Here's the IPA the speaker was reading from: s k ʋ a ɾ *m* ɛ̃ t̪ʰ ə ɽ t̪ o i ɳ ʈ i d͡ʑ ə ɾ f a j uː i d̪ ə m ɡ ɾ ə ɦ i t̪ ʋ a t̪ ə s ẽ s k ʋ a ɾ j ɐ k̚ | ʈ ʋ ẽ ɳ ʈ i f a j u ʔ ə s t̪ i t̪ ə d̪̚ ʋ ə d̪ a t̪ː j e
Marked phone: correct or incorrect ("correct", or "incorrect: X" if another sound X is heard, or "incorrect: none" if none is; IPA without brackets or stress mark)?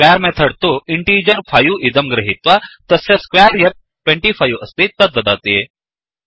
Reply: correct